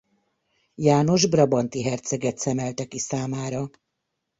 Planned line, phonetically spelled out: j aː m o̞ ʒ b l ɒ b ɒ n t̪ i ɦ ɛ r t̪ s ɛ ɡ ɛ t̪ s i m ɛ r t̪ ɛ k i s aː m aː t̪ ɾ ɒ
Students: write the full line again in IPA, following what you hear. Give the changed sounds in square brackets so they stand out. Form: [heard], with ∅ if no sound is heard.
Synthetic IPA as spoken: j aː [n] o̞ ʒ b [r] ɒ b ɒ n t̪ i ɦ ɛ r t̪ s ɛ ɡ ɛ t̪ s [ɛ] m ɛ [l] t̪ ɛ k i s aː m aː [∅] ɾ ɒ